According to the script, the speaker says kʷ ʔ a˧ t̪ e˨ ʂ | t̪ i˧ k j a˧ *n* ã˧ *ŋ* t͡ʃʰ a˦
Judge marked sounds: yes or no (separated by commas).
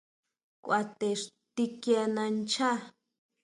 yes, no